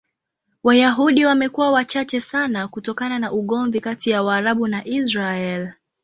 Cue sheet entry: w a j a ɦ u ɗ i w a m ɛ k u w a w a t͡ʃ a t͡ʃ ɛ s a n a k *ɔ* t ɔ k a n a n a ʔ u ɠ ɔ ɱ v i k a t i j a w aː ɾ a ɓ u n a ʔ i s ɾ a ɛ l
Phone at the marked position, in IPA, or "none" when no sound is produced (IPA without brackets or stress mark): u